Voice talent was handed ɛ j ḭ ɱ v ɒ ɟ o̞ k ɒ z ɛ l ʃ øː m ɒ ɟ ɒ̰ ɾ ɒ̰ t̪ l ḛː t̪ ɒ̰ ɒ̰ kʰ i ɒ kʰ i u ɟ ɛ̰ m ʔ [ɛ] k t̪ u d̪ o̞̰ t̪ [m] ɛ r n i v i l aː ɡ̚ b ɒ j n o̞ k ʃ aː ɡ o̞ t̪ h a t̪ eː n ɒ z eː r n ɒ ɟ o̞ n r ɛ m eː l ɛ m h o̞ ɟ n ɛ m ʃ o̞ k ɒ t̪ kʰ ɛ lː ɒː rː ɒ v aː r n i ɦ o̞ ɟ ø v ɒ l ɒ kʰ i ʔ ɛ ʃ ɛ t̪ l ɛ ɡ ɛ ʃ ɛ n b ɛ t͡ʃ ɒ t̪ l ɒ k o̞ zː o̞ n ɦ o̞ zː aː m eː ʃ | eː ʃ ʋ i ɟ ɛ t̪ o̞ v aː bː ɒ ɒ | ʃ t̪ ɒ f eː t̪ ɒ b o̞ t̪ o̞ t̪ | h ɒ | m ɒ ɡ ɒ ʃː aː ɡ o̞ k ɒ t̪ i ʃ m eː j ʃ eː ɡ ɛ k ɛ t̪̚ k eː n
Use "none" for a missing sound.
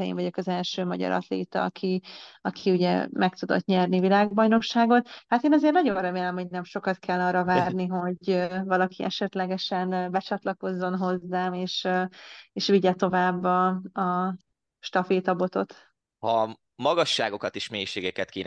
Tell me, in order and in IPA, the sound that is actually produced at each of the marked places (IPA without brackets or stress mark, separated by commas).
ɛ, ɲ